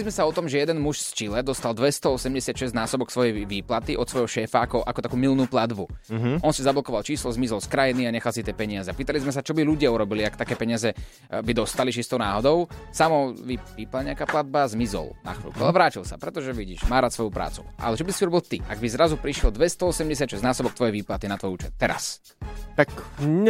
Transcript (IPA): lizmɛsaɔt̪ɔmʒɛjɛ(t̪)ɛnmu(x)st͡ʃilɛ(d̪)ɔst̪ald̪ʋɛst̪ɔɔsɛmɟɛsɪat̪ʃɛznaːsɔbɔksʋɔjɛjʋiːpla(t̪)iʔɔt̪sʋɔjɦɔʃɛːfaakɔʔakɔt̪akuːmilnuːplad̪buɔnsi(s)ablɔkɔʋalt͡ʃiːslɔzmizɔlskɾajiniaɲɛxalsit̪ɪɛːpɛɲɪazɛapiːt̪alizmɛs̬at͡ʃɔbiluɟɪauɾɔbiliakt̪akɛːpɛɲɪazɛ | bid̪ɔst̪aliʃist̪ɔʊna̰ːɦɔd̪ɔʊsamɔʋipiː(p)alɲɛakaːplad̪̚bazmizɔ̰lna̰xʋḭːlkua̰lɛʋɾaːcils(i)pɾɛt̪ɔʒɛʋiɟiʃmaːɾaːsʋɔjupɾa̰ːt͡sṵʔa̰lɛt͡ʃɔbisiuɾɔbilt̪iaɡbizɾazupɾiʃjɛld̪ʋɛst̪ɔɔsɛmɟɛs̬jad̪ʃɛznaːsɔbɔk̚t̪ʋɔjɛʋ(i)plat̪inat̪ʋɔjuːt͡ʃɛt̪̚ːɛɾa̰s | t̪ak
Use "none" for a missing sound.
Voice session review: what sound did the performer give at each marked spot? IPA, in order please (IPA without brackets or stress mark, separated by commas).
d̪, ʃ, d̪, t̪, z, p, a, iː